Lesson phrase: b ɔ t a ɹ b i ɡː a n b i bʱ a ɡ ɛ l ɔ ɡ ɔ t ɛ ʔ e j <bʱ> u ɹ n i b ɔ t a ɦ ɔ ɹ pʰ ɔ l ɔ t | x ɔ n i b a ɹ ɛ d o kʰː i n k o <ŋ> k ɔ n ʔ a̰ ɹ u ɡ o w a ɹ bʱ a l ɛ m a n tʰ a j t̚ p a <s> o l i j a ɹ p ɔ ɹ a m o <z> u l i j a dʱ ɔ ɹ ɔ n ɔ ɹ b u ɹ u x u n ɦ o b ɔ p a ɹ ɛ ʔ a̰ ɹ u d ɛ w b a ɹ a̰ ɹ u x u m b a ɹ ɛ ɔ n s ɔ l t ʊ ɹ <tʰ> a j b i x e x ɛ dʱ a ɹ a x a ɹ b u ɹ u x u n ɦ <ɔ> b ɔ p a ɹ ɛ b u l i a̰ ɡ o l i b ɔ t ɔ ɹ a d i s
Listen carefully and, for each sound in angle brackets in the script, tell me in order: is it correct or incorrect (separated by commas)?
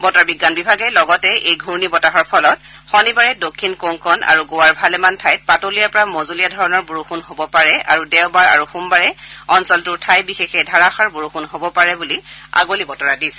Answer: incorrect, correct, incorrect, correct, correct, incorrect